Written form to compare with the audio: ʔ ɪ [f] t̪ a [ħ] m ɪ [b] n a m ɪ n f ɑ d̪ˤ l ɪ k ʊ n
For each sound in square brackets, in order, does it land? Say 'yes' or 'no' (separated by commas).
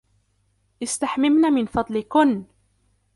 no, yes, no